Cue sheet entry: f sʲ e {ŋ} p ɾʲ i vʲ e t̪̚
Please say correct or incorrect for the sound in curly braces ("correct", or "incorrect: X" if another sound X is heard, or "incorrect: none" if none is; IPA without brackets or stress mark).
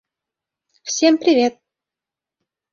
incorrect: m